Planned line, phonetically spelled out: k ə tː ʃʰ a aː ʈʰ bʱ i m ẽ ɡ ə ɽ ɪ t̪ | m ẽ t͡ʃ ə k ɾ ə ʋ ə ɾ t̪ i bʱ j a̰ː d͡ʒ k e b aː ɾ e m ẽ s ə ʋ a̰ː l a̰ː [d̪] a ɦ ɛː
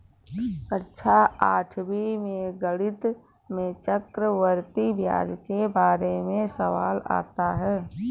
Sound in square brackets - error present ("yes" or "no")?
yes